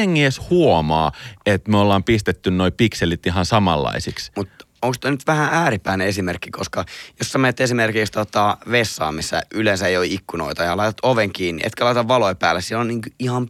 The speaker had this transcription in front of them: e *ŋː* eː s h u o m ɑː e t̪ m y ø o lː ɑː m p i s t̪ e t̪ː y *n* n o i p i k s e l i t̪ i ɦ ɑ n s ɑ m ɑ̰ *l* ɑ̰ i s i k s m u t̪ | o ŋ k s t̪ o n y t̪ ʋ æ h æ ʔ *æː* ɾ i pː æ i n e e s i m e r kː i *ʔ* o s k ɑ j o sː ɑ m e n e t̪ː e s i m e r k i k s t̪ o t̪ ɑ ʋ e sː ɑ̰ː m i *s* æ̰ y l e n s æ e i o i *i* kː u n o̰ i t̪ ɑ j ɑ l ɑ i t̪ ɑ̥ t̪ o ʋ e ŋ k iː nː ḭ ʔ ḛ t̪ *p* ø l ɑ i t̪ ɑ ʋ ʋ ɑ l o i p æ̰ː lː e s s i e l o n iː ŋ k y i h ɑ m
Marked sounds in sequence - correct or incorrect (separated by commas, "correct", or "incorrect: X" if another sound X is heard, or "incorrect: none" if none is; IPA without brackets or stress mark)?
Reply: correct, correct, incorrect: lː, correct, incorrect: k, incorrect: sː, correct, incorrect: k